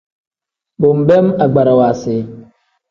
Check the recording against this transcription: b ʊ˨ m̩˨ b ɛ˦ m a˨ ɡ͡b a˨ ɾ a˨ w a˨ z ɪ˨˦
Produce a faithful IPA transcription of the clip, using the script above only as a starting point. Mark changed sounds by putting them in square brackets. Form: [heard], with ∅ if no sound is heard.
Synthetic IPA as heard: b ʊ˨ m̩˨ b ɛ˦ m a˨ ɡ͡b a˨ ɾ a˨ w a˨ [s] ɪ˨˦